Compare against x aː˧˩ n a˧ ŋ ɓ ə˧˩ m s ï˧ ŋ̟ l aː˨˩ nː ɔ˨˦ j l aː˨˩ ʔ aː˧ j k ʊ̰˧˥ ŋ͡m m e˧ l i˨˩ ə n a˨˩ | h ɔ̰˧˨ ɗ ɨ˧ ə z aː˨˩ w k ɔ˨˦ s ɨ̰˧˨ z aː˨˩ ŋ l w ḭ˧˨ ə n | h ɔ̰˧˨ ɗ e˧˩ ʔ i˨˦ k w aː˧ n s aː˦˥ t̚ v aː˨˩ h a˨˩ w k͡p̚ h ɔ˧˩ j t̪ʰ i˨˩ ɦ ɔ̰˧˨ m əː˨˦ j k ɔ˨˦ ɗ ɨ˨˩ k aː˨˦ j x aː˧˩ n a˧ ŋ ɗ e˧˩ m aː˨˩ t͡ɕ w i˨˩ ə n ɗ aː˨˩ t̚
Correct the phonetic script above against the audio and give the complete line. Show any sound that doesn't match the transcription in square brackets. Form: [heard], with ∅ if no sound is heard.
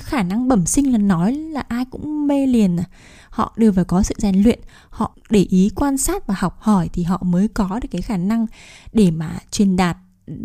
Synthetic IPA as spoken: x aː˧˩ n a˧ ŋ ɓ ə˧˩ m s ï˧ ŋ̟ l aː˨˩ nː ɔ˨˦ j l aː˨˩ ʔ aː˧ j k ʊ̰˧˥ ŋ͡m m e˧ l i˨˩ ə n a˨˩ | h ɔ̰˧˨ ɗ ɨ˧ ə [v] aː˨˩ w k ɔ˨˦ s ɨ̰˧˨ z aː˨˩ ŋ l w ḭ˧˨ ə n | h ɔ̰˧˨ ɗ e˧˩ ʔ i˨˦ k w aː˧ n s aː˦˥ t̚ v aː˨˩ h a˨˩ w k͡p̚ h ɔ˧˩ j t̪ʰ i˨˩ ɦ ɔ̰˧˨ m əː˨˦ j k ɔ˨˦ ɗ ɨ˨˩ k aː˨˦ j x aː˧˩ n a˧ ŋ ɗ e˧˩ m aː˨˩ t͡ɕ w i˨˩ ə n ɗ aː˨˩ t̚